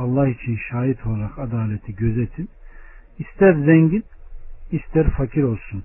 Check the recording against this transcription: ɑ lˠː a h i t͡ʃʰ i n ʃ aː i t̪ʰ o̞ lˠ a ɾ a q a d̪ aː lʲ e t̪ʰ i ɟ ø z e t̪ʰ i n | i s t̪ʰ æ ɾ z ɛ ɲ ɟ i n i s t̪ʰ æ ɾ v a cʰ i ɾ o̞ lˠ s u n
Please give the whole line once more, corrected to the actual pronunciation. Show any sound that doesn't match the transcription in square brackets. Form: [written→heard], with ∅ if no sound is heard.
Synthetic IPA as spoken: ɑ lˠː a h i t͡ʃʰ i n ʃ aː i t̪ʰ o̞ lˠ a ɾ a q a d̪ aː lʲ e t̪ʰ i ɟ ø z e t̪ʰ i n | i s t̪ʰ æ ɾ z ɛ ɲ ɟ i n i s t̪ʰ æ ɾ [v→f] a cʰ i ɾ o̞ lˠ s u n